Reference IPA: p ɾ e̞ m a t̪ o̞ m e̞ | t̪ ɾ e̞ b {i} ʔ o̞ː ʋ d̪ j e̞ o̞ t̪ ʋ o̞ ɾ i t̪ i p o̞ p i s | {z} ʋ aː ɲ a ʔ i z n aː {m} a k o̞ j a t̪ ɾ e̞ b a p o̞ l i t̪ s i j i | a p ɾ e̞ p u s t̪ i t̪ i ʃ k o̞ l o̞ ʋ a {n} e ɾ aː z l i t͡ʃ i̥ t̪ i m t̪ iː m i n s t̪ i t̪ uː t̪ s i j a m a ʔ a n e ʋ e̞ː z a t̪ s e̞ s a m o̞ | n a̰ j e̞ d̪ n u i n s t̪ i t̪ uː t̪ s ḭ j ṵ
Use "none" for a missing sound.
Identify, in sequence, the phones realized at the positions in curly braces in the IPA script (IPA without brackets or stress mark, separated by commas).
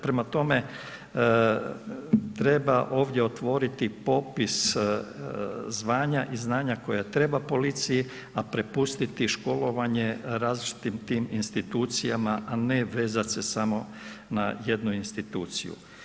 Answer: a, z, ɲ, ɲ